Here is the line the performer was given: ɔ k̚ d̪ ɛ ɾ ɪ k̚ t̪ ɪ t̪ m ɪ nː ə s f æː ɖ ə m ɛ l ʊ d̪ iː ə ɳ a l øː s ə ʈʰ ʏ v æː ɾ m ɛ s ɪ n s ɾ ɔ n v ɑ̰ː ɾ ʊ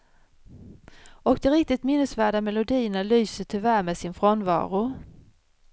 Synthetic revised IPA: ɔ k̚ d̪ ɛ ɾ ɪ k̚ t̪ ɪ t̪ m ɪ nː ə s v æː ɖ a m ɛ l ʊ d̪ iː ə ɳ a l yː s ə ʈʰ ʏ v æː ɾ m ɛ s ɪ n f ɾ ɔ n v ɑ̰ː ɾ ʊ